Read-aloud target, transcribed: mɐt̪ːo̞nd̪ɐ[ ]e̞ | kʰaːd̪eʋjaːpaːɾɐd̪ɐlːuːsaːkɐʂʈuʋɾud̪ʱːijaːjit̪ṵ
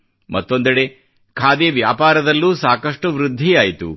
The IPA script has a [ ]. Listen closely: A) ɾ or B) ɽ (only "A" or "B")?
B